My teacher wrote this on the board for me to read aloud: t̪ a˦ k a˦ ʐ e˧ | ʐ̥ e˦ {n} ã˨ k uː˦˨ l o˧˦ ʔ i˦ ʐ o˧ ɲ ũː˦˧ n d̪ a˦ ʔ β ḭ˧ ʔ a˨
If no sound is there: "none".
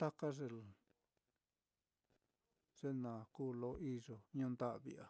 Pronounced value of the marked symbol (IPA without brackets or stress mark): n